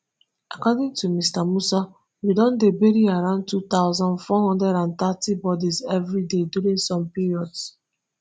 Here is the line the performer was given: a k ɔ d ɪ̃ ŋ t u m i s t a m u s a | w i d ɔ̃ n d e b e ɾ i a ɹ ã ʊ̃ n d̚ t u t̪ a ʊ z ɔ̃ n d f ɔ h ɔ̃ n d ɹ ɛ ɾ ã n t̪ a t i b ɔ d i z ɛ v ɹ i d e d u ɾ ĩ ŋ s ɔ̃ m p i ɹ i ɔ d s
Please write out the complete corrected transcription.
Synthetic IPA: a k ɔ d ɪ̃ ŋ t u m i s t a m u s a | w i d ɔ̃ n d e b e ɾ i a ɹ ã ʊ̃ n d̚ t u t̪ a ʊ z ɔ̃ n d f ɔ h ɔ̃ n d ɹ ɛ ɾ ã n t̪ a t i b ɔ d i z ɛ v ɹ i d e d u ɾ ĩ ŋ s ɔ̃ m p i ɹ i ɔ d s